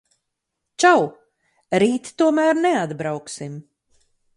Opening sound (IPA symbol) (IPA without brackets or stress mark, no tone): t͡ʃ